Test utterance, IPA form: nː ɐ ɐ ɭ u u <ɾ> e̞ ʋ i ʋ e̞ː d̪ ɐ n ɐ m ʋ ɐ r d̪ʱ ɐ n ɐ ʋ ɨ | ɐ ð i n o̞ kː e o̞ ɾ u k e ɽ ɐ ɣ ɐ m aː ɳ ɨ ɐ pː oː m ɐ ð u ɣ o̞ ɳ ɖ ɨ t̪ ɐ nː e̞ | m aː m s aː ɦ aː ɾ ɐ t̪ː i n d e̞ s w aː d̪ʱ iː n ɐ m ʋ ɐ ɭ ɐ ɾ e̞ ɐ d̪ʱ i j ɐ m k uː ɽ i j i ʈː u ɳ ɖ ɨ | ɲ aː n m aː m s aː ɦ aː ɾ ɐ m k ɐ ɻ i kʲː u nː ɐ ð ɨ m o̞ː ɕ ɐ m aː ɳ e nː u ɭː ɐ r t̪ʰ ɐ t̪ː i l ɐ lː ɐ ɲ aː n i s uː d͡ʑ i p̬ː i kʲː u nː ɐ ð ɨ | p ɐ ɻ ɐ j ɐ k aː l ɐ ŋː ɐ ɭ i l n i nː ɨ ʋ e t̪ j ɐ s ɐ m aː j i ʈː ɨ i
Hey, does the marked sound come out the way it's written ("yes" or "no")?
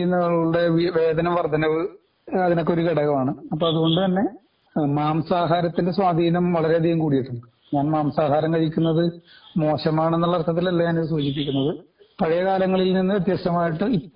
no